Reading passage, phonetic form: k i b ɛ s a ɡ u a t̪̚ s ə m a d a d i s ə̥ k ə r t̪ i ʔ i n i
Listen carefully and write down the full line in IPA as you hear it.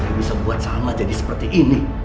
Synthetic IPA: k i b i s a b u a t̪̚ s a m a d͡ʒ a d i s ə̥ p ə r t̪ i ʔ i n i